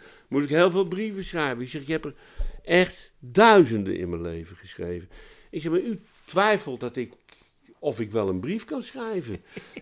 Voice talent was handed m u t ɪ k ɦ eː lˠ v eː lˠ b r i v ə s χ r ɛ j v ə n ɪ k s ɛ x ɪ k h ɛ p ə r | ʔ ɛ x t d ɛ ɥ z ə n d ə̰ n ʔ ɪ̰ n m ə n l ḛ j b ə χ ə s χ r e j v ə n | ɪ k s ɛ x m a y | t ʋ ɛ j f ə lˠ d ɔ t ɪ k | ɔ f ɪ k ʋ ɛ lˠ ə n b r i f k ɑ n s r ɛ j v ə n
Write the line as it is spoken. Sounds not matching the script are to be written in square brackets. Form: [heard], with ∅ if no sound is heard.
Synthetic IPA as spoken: m u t ɪ k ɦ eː lˠ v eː lˠ b r i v ə s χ r ɛ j v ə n ɪ k s ɛ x ɪ k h ɛ p ə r | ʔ ɛ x t d [œ] ɥ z ə n d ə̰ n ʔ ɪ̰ n m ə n l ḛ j [v] ə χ ə s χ r e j v ə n | ɪ k s ɛ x m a y | t ʋ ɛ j f ə lˠ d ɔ t ɪ k | ɔ f ɪ k ʋ ɛ lˠ ə n b r i f k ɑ n s r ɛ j v ə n